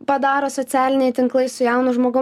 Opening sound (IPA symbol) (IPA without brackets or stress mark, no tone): p